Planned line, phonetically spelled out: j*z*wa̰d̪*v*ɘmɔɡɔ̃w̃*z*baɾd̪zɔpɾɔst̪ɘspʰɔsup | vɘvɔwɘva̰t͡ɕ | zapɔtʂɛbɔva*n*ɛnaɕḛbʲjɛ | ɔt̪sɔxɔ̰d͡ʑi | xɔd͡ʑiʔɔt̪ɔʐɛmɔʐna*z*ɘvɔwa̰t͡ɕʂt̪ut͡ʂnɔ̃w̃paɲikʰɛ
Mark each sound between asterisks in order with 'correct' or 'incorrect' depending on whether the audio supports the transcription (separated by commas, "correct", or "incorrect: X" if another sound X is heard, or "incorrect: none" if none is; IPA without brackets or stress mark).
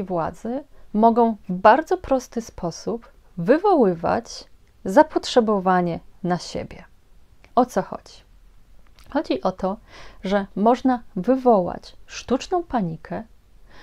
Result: incorrect: v, incorrect: z, incorrect: v, incorrect: ɲ, incorrect: v